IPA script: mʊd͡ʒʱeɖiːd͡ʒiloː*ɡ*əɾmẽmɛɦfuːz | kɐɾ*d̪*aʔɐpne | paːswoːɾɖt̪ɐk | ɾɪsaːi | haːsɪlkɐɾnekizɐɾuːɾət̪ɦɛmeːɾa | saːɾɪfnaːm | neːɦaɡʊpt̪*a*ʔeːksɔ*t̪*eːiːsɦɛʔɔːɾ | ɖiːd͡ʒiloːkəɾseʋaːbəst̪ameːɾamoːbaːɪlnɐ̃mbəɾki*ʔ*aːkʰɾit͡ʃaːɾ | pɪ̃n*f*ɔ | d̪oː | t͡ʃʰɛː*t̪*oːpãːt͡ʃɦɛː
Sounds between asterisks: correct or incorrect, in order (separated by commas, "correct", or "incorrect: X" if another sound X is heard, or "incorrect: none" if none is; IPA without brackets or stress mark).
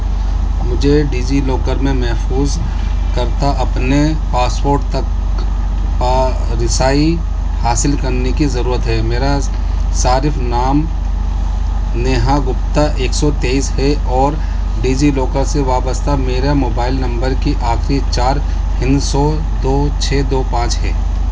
incorrect: k, incorrect: t̪, correct, correct, correct, incorrect: s, incorrect: d̪